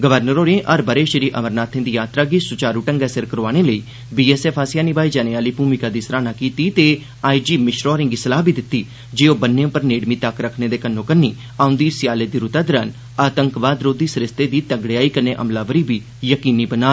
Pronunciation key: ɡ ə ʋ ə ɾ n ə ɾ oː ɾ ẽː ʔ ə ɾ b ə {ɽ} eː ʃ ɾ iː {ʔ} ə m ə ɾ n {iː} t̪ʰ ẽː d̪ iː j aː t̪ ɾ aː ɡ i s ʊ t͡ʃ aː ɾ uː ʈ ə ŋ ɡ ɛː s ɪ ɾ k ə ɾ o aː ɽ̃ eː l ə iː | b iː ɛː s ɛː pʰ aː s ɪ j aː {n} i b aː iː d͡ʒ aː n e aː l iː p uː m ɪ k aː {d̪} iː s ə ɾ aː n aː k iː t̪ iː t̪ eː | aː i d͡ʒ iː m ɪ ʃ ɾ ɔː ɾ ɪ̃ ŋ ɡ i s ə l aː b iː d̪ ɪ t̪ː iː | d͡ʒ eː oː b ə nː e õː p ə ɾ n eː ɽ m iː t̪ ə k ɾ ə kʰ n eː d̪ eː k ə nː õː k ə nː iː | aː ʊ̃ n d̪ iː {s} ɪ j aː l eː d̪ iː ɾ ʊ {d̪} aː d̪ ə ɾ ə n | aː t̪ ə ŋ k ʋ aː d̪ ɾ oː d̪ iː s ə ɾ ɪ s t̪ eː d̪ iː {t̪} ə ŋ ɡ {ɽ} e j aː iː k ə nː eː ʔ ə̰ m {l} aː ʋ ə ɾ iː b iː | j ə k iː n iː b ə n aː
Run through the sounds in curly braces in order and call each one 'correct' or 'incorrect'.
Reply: incorrect: ɾ, correct, incorrect: aː, correct, correct, correct, incorrect: t̪, correct, correct, correct

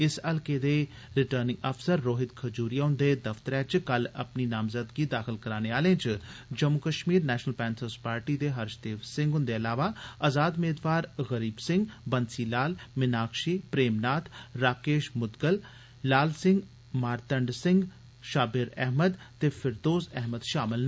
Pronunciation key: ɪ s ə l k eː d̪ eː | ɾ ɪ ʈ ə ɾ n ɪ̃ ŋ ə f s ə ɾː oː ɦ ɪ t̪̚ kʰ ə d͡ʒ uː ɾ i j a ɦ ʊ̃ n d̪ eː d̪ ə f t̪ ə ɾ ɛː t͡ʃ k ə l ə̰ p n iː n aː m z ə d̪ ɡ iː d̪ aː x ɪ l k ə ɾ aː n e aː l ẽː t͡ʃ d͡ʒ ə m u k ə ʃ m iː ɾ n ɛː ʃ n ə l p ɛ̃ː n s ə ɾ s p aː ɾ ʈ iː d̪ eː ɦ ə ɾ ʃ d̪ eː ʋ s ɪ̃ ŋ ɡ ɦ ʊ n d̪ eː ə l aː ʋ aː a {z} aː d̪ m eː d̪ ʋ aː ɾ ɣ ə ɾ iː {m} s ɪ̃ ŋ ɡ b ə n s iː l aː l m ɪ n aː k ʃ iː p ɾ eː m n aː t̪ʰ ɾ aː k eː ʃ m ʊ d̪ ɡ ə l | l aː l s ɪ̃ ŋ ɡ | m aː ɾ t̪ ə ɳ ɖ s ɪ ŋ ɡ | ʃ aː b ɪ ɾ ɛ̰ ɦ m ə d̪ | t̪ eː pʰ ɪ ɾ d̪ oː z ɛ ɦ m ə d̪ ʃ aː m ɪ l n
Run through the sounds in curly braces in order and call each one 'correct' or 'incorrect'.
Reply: correct, incorrect: b

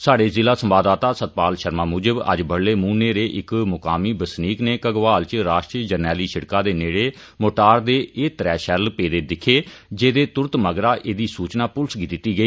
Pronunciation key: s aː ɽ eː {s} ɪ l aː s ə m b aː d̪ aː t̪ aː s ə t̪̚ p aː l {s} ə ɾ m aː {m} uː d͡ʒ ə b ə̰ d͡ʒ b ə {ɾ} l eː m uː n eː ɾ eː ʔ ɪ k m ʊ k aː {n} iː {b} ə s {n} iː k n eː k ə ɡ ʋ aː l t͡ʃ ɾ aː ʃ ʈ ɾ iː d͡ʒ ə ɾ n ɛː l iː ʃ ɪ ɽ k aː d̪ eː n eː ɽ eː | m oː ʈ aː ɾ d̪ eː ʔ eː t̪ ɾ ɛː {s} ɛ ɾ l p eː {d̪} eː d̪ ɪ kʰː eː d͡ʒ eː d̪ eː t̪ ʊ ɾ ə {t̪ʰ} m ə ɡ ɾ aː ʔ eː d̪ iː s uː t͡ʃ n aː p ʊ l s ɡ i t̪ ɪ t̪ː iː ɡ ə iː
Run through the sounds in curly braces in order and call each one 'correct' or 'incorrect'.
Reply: incorrect: z, incorrect: ʃ, correct, incorrect: ɽ, incorrect: m, correct, correct, incorrect: ʃ, correct, incorrect: t̪

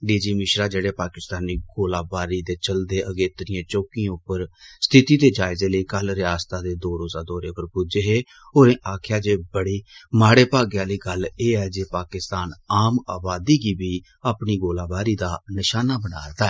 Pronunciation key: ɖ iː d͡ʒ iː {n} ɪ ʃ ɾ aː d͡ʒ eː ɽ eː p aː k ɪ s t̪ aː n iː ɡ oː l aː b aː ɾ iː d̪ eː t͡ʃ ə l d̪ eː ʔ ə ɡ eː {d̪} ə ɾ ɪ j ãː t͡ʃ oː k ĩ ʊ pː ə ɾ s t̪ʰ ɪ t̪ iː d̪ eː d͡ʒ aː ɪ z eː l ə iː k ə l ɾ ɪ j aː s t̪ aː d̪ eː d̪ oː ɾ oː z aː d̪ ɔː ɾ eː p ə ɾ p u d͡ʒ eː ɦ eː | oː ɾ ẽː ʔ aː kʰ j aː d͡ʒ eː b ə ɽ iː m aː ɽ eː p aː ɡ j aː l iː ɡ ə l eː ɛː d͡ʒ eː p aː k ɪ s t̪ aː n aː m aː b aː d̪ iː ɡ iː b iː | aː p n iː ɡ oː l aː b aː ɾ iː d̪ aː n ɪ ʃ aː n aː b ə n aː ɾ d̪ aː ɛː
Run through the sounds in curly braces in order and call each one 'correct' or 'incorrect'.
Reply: incorrect: m, incorrect: t̪

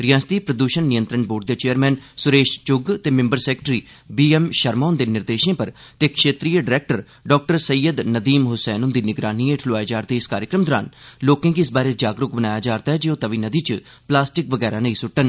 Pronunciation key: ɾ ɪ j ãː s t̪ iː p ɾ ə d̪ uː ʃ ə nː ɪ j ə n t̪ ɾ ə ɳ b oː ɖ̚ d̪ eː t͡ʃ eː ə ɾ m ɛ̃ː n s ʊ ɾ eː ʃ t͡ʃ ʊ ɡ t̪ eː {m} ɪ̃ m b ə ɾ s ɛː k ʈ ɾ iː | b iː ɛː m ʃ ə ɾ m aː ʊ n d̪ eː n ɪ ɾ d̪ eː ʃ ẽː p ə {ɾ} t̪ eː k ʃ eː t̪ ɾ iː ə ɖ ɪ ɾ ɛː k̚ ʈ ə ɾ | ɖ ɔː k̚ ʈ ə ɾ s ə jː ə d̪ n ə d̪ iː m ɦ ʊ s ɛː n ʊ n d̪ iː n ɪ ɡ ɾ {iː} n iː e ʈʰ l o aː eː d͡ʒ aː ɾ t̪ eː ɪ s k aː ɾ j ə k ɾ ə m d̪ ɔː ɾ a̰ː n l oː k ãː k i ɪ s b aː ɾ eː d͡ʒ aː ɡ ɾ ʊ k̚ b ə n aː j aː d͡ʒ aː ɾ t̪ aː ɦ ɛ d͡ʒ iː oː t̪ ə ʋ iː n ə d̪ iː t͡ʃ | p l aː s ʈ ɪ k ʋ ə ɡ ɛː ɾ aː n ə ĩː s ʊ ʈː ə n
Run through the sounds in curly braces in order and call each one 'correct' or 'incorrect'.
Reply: correct, correct, incorrect: aː

